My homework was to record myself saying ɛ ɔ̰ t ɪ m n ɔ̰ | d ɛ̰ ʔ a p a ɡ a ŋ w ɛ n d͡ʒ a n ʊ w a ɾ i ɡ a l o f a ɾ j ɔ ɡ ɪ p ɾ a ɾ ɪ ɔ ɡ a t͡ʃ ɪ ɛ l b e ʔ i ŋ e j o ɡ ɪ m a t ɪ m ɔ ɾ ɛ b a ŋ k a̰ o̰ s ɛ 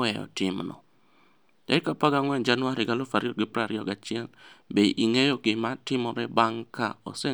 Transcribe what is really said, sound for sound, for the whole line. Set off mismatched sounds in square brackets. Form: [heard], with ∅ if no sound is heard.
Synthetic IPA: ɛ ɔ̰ t ɪ m n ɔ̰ | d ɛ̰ [k] a p a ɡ a ŋ w ɛ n d͡ʒ a n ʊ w a ɾ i ɡ a l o f a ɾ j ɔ ɡ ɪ p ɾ a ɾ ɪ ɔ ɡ a t͡ʃ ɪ ɛ l b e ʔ i ŋ e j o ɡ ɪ m a t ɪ m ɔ ɾ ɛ b a ŋ k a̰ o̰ s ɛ